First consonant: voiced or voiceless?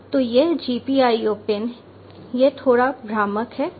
voiceless